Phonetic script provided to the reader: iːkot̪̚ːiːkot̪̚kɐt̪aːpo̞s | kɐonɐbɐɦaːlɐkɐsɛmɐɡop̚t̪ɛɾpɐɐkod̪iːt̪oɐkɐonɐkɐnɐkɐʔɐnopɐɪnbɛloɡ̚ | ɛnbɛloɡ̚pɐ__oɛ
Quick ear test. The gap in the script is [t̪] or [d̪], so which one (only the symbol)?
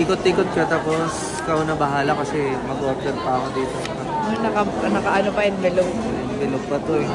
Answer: t̪